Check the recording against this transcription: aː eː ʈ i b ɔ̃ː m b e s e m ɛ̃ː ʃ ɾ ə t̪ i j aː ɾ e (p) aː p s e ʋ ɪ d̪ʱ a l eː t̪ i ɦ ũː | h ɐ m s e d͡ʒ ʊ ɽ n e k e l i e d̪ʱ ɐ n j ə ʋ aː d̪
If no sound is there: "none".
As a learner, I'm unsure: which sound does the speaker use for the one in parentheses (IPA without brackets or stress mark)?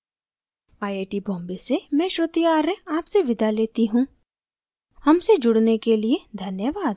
none